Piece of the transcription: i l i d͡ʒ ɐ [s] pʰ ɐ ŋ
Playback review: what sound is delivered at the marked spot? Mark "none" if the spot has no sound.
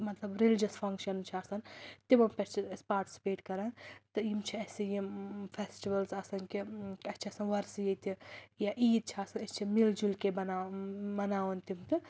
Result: s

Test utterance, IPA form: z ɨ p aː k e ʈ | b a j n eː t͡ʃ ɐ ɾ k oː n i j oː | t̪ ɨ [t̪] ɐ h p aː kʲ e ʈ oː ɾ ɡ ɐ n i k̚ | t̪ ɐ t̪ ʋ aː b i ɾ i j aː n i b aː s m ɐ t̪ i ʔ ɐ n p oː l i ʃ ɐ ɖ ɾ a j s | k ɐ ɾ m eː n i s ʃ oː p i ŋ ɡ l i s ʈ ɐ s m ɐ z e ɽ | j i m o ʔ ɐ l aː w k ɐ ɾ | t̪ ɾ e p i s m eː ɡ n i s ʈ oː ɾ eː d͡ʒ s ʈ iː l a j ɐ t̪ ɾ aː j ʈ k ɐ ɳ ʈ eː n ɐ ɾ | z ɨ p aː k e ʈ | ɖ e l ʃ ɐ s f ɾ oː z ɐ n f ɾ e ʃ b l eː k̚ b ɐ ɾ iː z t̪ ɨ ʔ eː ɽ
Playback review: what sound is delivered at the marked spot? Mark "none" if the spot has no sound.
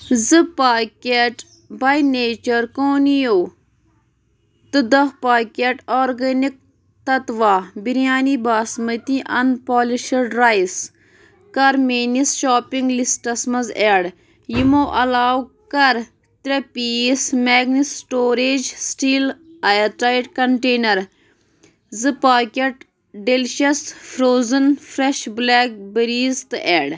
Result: d̪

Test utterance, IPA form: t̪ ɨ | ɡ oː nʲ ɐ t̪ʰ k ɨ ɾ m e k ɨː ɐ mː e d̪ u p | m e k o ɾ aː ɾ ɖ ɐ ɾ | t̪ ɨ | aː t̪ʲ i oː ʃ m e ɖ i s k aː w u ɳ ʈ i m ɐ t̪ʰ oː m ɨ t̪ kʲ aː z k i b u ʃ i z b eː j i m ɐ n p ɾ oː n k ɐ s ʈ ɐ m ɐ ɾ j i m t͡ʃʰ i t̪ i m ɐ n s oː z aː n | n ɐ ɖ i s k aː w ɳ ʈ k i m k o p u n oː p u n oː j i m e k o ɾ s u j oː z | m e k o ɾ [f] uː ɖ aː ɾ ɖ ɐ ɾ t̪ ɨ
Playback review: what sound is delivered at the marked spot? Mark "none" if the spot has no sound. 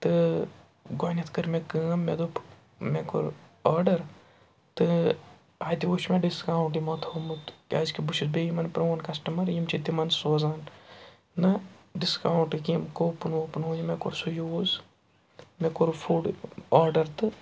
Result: f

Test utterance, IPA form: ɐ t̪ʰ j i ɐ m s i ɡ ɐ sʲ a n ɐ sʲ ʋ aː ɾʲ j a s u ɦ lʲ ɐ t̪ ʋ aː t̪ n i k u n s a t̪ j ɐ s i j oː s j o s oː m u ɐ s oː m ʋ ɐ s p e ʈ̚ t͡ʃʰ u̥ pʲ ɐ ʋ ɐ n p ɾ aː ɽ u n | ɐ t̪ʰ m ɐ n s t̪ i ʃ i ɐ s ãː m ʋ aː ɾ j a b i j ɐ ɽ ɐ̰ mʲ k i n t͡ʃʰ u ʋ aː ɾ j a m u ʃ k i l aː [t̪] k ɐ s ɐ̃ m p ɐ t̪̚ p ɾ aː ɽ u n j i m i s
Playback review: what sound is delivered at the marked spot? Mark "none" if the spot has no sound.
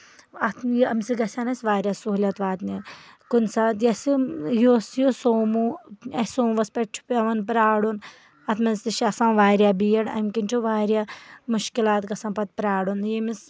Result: t̪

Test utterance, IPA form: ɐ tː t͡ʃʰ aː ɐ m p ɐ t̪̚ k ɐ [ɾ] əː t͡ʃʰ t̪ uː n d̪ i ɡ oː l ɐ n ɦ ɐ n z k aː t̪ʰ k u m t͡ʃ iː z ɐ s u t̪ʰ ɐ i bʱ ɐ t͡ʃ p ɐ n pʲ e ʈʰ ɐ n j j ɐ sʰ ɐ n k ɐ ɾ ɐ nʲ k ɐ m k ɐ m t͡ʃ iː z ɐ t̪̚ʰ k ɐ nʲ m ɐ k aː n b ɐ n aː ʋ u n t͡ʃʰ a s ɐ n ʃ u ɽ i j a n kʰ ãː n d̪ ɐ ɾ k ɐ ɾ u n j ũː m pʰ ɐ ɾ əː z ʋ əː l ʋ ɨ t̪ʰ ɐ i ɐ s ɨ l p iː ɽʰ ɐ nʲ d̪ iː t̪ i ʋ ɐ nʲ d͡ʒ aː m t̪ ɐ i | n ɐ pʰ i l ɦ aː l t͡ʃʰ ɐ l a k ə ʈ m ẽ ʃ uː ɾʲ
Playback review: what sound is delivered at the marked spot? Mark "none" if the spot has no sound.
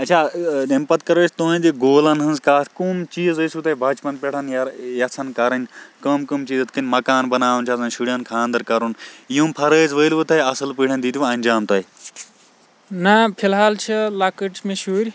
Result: ɾ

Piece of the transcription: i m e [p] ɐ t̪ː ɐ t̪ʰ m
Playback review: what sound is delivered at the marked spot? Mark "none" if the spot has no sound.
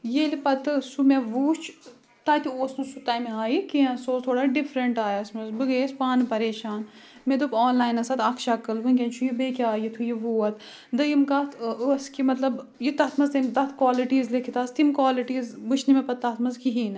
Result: p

